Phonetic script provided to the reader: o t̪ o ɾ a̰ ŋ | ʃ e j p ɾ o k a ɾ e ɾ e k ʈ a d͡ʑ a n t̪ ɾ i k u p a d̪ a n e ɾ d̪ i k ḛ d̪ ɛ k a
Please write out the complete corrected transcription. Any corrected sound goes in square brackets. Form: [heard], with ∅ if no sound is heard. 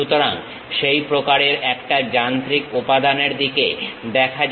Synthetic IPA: [u] t̪ o ɾ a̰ ŋ | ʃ e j p ɾ o k a ɾ e ɾ [ɛ] k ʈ a d͡ʑ a n t̪ ɾ i k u p a d̪ a n e ɾ d̪ i k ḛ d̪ ɛ [kʰ] a